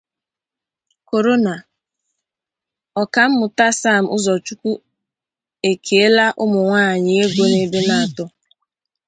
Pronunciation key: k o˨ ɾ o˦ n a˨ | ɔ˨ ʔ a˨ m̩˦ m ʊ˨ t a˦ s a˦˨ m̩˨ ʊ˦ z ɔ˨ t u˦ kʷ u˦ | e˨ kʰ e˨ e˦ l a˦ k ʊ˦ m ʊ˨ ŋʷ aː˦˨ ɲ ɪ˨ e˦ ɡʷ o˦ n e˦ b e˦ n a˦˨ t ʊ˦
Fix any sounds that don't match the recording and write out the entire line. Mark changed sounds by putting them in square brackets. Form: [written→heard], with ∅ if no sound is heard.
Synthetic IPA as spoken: k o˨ ɾ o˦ n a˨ | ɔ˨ [ʔ→k] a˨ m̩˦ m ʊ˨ t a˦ s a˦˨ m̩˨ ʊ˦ z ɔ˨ [t→t͡ʃ] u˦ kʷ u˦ | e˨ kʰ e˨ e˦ l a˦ [k→ʔ] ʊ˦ m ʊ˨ ŋʷ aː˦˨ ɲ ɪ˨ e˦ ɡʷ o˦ n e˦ b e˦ n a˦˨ t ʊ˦